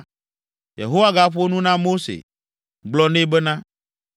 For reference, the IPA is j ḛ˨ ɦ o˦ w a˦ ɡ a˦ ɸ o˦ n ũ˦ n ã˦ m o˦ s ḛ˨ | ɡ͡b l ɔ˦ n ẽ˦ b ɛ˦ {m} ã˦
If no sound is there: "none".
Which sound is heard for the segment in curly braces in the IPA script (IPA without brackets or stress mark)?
n